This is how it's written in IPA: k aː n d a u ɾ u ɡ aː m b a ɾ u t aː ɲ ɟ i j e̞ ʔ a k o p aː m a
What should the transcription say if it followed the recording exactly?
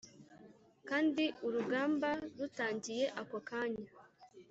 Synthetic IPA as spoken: k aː n d i u ɾ u ɡ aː m b a ɾ u t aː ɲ ɟ i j e̞ ʔ a k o k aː ɲ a

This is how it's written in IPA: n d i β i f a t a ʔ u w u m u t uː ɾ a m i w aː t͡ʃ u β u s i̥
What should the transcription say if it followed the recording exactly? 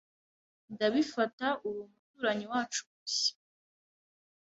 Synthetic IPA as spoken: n d a β i f a t a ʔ u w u m u t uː ɾ a ɲ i w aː t͡ʃ u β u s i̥

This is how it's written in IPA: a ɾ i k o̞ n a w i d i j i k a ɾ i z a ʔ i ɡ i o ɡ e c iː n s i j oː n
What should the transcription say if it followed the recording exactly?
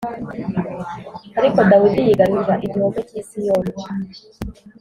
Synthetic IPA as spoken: a ɾ i k o̞ d a w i d i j i ɡ a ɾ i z a ʔ i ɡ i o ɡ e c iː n s i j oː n

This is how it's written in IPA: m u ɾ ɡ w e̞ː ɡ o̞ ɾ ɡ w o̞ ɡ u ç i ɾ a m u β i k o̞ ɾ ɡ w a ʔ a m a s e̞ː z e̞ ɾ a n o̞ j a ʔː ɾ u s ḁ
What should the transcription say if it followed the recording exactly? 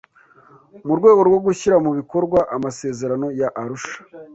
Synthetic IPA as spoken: m u ɾ ɡ w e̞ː ɡ o̞ ɾ ɡ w o̞ ɡ u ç i ɾ a m u β i k o̞ ɾ ɡ w a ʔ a m a s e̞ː z e̞ ɾ a n o̞ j a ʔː ɾ u ʃ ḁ

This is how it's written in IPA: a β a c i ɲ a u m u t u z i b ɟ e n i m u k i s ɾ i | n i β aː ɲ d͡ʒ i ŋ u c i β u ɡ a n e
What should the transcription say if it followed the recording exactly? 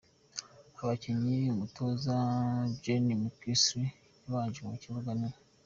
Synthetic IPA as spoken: a β a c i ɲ i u m u t o z a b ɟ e n i m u k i s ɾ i | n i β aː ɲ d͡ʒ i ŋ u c i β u ɡ a n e

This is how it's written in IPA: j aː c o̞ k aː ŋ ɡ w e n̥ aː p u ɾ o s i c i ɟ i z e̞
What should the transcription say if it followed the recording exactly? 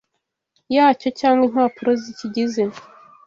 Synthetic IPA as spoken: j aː c o̞ c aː ŋ ɡ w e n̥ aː p u ɾ o z i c i ɟ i z e̞

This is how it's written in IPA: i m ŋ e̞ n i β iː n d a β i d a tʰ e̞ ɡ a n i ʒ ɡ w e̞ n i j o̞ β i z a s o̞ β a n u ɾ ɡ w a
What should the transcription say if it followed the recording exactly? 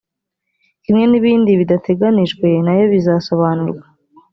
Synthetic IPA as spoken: i m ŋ e̞ n i β iː n d i β i d a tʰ e̞ ɡ a n i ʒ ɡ w e̞ n a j o̞ β i z a s o̞ β a n u ɾ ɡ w a

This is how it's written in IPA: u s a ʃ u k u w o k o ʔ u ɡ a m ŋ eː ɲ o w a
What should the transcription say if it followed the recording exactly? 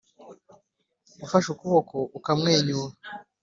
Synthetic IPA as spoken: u f a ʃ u k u β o k o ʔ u k a m ŋ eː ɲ u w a

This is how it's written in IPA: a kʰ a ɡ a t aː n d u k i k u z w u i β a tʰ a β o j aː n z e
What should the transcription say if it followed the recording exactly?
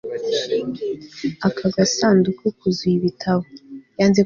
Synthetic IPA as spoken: a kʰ a ɡ a s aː n d u k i k u z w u i β i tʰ a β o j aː n z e

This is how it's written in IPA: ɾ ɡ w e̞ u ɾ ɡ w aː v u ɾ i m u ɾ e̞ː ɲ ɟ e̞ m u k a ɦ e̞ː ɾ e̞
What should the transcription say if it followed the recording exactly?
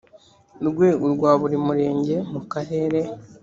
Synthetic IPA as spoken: ɾ ɡ w e̞ u ɾ ɡ w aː β u ɾ i m u ɾ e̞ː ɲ ɟ e̞ m u k a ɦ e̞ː ɾ e̞

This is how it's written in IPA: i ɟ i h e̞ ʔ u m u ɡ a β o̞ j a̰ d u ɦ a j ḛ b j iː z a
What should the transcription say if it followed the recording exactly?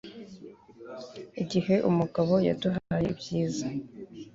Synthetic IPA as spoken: i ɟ i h e̞ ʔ u m u ɡ a β o̞ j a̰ d u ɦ a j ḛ b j iː z a

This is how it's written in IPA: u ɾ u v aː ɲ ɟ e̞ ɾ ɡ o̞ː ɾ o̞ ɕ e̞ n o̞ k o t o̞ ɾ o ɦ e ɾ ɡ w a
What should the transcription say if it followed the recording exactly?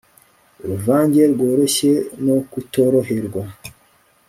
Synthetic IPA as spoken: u ɾ u v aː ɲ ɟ e̞ ɾ ɡ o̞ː ɾ o̞ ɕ e̞ n o̞ k u t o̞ ɾ o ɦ e ɾ ɡ w a

